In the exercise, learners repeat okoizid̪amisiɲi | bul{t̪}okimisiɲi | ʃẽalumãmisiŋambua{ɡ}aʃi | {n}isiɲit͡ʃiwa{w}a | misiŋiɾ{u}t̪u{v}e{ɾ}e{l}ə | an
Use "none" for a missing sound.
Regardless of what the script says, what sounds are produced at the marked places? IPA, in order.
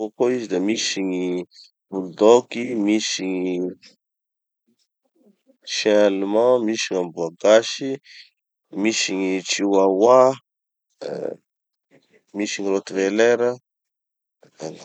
d̪, ɡ, m, w, o, v, l, ɾ

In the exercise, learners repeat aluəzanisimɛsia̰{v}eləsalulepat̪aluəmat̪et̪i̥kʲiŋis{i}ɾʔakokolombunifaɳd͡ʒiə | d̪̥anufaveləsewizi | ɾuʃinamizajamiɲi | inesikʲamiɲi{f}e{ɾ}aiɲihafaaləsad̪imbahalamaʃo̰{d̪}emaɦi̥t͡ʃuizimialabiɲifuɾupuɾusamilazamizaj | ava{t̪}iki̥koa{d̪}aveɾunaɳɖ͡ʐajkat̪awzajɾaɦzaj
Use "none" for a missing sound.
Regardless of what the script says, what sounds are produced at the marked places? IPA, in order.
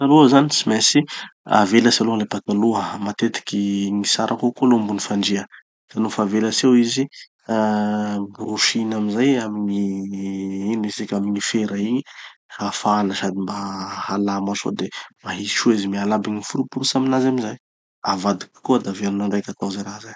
v, a, f, ɾ, d̪, d̪, d̪

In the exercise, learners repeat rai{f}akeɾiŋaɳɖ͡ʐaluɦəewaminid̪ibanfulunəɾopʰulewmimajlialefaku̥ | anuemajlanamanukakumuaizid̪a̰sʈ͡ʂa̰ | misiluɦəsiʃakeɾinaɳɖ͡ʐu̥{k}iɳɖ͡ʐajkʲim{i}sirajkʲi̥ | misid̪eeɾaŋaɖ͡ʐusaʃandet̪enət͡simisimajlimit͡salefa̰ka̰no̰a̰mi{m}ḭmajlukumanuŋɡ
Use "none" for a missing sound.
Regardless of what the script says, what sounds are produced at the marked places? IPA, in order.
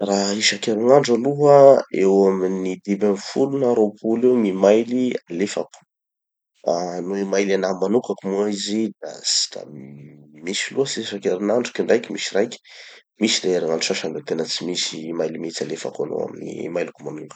ʃ, k, i, n

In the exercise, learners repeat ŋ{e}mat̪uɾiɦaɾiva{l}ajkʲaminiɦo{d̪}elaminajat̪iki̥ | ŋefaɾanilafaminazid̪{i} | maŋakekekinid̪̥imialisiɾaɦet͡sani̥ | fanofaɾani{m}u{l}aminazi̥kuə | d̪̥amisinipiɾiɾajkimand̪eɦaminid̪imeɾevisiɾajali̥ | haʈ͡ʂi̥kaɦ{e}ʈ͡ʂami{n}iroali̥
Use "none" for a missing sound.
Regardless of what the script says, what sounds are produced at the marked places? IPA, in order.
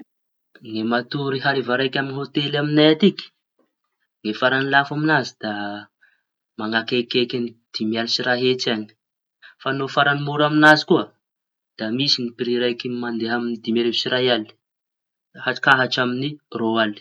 e, ɾ, t̪, a, m, ɾ, a, n

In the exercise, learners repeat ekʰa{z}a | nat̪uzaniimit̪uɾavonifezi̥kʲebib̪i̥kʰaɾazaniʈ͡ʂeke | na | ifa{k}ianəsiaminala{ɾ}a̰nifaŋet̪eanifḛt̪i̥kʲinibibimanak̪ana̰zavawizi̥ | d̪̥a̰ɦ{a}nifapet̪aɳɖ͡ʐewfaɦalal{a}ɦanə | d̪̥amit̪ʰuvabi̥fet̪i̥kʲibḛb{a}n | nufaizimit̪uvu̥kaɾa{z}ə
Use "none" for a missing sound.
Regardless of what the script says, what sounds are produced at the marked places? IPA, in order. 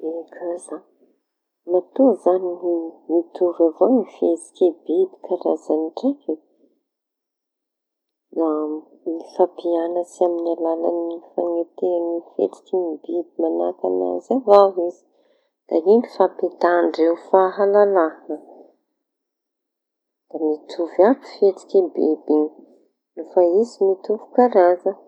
z, p, l, i, a, i, z

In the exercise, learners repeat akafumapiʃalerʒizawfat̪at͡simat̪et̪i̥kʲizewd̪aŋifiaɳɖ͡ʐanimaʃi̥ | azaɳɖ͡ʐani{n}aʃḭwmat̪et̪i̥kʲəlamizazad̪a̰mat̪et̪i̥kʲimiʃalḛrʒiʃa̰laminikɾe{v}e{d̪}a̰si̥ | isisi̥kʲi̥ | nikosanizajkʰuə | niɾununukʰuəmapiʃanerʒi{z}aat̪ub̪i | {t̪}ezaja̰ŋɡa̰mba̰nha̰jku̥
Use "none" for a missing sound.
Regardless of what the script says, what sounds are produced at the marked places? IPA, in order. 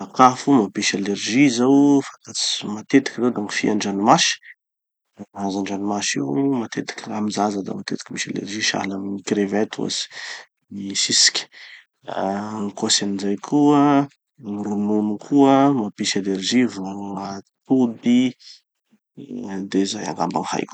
m, v, t̪, v, d̪

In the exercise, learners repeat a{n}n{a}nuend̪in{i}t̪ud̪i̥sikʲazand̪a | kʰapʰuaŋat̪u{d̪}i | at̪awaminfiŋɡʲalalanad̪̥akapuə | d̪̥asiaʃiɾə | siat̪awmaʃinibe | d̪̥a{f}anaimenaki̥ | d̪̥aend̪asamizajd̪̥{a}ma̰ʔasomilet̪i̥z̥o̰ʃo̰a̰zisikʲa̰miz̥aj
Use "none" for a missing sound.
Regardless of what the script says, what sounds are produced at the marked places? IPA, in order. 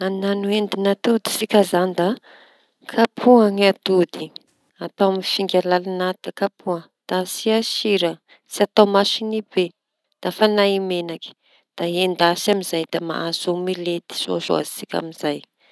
n, a, a, d̪, f, a

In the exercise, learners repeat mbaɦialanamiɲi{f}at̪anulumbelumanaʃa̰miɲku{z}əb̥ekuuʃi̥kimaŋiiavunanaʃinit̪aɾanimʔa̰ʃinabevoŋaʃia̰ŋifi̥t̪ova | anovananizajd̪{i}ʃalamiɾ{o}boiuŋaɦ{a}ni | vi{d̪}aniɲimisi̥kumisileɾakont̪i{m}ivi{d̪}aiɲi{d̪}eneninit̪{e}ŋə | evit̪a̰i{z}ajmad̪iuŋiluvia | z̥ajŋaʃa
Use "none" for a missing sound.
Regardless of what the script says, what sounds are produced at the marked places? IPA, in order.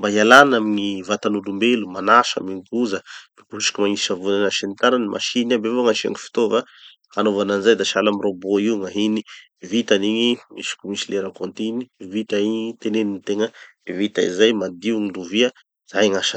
v, z, a, o, i, t̪, n, t̪, t̪, e, z

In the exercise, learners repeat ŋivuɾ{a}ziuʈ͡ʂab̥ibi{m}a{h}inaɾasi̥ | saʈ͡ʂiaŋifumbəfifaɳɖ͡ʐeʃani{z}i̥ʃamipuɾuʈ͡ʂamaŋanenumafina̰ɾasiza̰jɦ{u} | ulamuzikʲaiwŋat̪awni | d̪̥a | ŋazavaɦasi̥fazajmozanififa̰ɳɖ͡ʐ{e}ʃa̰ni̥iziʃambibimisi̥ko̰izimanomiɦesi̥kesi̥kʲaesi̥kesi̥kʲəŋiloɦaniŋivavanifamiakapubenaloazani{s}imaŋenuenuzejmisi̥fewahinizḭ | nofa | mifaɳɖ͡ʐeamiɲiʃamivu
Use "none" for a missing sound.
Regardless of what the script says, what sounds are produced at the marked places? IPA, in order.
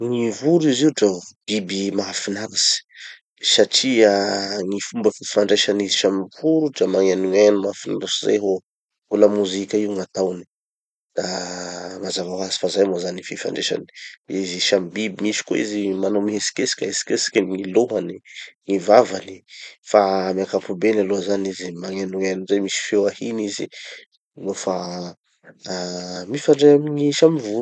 i, m, f, z, o, e, z

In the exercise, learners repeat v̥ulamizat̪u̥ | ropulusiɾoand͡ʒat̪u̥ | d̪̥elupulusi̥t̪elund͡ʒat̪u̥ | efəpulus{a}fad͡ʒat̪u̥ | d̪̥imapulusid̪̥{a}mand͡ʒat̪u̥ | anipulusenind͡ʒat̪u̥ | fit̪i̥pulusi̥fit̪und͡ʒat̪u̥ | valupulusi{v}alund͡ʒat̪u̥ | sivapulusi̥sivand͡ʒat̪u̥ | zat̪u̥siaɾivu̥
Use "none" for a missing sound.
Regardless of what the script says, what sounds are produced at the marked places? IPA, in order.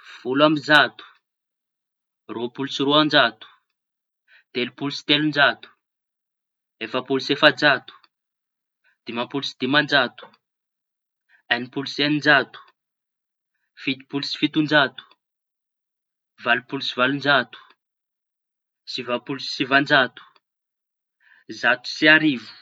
e, i, v

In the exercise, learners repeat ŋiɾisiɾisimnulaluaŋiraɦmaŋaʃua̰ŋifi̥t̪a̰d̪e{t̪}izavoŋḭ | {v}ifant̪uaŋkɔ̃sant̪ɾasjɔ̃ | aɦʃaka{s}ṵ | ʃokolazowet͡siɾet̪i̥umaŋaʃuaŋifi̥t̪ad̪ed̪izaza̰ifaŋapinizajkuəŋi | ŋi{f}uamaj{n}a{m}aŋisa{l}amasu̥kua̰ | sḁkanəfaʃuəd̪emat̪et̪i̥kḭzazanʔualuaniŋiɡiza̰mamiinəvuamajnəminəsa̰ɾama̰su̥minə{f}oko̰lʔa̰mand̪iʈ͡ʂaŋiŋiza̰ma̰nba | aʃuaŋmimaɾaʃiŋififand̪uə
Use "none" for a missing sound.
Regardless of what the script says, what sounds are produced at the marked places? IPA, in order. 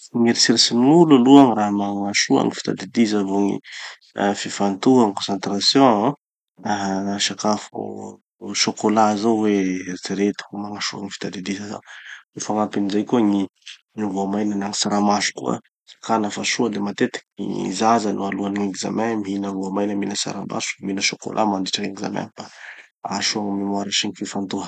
d̪, f, f, v, n, n, ɾ, ʃ

